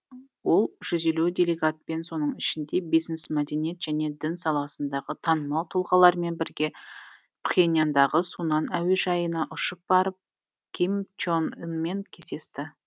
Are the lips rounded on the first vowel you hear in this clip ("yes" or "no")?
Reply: yes